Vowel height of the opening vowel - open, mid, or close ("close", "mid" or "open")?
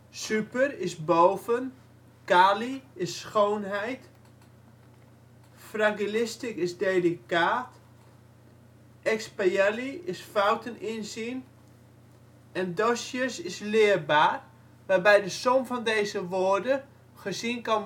close